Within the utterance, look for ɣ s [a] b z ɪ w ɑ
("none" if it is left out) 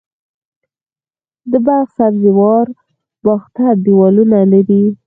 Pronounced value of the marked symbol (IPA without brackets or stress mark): a